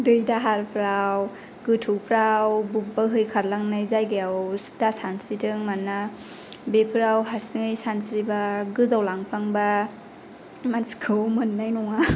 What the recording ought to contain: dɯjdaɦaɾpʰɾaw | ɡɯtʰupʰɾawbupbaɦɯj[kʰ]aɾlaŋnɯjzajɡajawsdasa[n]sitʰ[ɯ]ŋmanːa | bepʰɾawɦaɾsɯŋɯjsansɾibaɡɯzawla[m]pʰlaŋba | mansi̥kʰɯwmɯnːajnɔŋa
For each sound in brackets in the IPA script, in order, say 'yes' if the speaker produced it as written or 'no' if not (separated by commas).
yes, yes, yes, no